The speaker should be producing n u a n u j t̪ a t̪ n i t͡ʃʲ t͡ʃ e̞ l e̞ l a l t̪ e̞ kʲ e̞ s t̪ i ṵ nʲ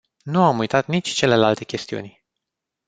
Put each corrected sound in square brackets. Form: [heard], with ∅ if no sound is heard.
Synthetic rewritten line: n u a [m] u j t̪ a t̪ n i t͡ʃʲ t͡ʃ e̞ l e̞ l a l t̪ e̞ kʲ e̞ s t̪ i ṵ nʲ